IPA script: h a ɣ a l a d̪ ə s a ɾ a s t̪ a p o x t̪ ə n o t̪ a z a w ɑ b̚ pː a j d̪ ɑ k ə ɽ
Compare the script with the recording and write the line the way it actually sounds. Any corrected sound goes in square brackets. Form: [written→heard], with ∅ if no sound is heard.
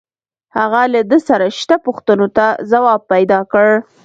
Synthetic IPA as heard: h a ɣ a l a d̪ ə s a ɾ a [s→ʃ] t̪ a p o x t̪ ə n o t̪ a z a w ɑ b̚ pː a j d̪ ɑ k ə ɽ